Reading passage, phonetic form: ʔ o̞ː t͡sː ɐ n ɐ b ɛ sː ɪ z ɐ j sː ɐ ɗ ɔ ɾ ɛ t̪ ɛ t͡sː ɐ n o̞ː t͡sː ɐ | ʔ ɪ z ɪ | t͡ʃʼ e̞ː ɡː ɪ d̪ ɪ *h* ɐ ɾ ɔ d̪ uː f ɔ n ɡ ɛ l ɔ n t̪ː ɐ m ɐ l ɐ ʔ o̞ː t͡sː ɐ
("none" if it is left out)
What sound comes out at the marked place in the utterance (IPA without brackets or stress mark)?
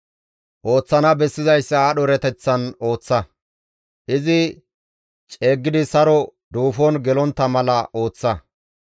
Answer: s